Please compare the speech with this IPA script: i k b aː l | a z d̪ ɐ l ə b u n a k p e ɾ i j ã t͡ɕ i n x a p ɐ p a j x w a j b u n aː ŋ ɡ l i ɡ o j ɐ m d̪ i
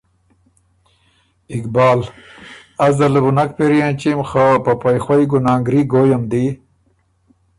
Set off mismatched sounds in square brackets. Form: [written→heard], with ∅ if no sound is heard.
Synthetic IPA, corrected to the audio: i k b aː l | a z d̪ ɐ l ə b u n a k p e ɾ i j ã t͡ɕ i [n→m] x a p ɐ p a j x w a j [b→ɡ] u n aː ŋ ɡ [l→ɾ] i ɡ o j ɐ m d̪ i